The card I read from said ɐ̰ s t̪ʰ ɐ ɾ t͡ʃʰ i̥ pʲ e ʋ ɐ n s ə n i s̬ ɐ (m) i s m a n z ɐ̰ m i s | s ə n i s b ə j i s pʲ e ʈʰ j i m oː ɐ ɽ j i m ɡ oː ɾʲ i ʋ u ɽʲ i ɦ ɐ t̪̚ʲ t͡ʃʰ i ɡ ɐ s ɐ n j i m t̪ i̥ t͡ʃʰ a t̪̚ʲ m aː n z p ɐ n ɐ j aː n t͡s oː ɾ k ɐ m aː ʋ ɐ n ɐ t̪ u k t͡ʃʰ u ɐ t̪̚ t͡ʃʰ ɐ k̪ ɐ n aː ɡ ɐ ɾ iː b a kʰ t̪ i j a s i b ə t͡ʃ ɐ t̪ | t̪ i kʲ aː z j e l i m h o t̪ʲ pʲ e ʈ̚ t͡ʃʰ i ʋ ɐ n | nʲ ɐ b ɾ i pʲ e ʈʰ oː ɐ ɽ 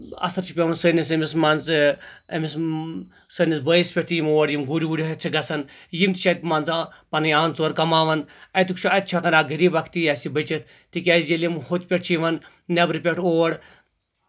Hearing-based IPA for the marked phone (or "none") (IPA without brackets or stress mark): m